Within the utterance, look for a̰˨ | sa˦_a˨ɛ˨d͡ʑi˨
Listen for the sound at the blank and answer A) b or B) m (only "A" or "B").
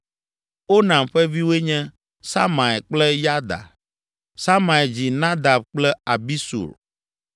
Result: B